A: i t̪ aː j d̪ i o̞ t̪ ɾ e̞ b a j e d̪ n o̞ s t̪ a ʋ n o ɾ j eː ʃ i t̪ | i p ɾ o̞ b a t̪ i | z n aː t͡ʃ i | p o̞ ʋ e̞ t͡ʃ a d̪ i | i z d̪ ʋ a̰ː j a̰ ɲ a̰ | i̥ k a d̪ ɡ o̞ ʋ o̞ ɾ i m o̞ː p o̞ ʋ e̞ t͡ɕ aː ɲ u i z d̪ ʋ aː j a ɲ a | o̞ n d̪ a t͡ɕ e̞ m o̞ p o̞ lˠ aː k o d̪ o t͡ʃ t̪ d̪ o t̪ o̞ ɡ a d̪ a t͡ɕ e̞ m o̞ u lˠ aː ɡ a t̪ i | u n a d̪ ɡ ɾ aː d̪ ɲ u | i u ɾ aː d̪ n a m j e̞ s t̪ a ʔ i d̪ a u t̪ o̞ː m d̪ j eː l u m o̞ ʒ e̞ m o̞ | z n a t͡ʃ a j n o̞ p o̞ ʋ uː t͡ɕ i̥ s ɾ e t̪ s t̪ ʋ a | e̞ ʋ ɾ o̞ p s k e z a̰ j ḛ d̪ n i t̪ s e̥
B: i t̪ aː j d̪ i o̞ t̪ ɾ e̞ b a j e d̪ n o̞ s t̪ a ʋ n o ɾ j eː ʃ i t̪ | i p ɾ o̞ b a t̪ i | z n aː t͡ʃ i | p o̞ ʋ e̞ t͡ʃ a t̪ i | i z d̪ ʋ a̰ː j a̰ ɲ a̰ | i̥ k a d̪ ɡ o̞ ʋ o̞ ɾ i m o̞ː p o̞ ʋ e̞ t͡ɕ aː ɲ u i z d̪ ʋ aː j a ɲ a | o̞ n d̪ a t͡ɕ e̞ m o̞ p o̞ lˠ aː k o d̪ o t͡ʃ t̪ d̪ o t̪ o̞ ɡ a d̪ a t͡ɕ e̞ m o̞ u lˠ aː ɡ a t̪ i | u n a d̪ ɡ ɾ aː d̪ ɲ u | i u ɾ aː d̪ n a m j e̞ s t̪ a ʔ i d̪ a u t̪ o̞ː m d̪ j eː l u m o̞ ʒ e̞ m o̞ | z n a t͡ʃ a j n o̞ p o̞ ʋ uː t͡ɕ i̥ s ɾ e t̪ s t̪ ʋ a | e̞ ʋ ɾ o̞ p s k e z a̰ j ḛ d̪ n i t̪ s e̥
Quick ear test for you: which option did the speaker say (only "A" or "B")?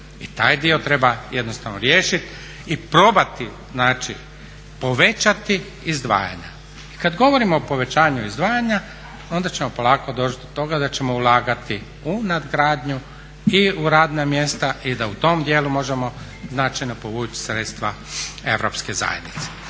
B